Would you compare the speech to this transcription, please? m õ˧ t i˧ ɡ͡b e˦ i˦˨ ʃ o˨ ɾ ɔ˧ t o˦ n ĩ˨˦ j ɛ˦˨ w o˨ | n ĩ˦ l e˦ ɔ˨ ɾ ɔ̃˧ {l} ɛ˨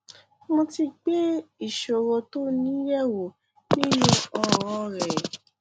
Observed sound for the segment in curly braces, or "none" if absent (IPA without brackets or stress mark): ɾ